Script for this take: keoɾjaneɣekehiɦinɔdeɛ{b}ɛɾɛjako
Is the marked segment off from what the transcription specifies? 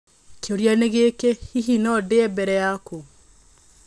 no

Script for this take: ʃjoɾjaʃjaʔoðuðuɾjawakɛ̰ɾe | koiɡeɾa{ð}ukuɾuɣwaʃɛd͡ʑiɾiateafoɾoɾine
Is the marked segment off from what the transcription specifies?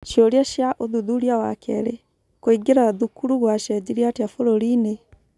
no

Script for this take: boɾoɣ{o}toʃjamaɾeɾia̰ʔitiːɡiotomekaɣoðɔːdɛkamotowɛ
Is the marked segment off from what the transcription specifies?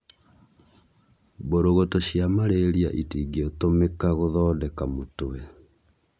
no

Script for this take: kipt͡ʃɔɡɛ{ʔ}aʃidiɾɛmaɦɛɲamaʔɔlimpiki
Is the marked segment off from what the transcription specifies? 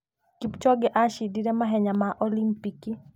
no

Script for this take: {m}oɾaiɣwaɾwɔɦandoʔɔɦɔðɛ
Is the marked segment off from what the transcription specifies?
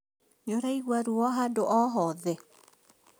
yes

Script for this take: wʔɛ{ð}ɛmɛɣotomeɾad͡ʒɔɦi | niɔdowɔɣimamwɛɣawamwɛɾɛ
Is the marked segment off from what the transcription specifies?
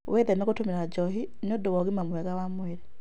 no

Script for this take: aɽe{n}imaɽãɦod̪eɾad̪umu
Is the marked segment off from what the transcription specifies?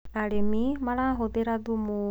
yes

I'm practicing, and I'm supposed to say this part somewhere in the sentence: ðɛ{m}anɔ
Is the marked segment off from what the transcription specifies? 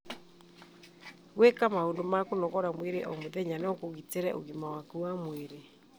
yes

